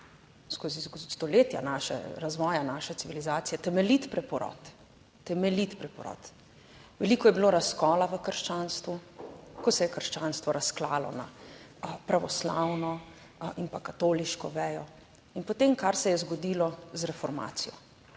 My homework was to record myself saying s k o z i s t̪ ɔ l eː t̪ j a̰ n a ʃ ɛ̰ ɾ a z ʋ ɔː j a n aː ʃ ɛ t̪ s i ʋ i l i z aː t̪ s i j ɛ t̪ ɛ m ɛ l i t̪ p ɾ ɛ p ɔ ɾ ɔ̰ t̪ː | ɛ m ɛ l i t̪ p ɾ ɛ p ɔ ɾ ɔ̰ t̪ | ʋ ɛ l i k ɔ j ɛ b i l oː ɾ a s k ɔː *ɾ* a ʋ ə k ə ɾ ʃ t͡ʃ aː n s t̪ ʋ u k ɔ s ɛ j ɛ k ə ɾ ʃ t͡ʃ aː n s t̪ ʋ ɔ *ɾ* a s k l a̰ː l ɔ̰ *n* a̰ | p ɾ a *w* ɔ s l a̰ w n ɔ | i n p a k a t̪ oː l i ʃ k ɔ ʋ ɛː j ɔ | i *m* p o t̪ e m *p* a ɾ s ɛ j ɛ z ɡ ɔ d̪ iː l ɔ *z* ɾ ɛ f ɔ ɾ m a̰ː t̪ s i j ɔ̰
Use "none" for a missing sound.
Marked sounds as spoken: l, ɾ, n, ʋ, n, k, z

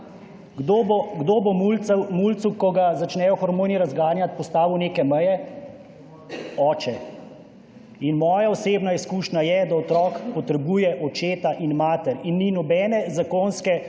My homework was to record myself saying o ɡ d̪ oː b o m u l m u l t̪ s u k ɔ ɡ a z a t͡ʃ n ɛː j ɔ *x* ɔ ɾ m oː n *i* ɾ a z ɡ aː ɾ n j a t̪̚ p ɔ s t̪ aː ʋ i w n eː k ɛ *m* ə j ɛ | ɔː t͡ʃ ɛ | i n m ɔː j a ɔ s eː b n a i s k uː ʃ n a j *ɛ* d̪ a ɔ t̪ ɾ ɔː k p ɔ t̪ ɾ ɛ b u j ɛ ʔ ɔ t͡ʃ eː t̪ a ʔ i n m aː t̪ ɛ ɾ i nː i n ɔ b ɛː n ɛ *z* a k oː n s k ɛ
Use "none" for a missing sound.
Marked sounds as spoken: x, i, m, ɛ, z

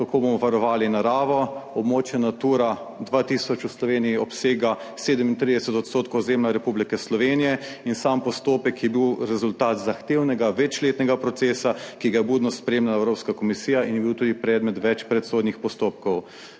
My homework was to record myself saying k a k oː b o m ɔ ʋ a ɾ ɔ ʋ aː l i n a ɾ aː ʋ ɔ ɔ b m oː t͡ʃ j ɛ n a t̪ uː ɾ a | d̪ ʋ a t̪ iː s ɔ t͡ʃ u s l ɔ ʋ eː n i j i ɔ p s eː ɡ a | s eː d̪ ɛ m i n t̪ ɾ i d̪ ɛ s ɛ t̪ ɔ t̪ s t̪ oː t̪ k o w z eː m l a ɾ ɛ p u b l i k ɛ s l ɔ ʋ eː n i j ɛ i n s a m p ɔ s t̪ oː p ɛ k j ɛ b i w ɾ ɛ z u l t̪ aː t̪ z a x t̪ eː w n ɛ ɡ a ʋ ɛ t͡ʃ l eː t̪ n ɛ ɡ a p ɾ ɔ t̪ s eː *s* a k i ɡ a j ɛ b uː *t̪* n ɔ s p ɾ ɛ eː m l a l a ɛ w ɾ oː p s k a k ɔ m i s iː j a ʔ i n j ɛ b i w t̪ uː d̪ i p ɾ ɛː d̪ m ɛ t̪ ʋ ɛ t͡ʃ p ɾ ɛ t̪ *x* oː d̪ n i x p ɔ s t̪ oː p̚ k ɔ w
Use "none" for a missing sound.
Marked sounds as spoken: s, d̪, s

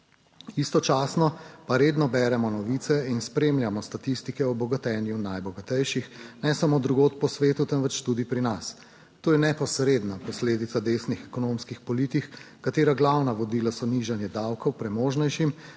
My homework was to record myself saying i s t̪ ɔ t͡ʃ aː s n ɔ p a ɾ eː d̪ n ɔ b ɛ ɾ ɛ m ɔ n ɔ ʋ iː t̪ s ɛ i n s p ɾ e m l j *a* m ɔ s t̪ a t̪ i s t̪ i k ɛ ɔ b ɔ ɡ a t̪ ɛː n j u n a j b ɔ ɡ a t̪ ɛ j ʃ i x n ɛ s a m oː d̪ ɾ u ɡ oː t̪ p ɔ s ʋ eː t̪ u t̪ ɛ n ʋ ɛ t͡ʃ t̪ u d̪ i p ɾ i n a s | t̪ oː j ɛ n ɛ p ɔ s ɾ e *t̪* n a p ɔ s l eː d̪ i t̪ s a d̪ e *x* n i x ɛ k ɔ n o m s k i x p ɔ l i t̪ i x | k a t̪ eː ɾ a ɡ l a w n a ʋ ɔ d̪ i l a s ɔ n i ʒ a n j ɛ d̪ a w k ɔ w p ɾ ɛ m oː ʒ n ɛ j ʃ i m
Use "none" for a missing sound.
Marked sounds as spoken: a, d̪, s

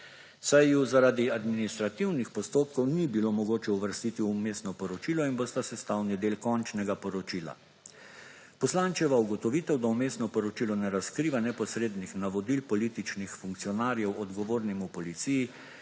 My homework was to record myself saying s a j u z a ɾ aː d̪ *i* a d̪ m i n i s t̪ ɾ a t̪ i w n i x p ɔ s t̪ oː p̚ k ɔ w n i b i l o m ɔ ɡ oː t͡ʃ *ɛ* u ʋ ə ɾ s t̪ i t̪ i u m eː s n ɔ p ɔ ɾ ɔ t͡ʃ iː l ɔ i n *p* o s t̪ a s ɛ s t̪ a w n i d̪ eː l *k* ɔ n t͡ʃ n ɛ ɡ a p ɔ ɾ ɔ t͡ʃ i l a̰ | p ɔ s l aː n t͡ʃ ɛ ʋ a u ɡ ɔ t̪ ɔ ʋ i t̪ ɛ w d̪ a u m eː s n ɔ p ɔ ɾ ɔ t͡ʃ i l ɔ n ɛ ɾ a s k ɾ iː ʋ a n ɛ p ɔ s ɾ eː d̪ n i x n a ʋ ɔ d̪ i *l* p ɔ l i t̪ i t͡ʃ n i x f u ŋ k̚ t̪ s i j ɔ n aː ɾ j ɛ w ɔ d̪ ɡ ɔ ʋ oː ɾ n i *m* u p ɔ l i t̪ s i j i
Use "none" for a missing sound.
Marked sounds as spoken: i, ɛ, b, k, l, m

